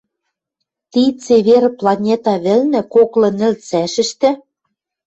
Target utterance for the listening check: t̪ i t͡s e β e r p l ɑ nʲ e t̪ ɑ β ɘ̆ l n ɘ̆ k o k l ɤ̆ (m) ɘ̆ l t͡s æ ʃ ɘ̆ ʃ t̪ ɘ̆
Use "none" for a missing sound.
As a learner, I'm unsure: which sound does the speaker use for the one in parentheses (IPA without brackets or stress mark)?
n